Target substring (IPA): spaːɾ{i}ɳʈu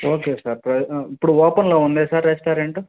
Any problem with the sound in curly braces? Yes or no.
yes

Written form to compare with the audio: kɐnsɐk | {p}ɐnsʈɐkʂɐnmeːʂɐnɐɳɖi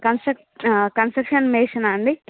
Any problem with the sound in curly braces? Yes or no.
yes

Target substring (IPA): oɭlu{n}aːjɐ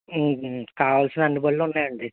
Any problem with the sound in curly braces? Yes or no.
yes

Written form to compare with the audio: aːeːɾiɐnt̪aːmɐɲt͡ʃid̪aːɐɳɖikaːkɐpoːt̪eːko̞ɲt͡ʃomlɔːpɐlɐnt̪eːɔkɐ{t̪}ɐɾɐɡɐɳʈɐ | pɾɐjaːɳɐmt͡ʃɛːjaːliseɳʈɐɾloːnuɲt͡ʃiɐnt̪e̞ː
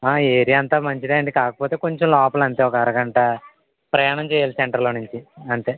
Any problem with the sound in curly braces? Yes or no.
yes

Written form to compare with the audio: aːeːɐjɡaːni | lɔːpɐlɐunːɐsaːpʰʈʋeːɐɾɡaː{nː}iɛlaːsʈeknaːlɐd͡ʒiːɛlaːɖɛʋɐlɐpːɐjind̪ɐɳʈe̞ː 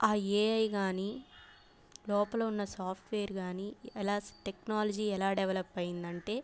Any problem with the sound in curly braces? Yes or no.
yes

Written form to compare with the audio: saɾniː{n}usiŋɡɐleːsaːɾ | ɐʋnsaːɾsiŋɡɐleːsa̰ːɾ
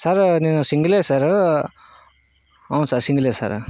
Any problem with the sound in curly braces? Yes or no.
no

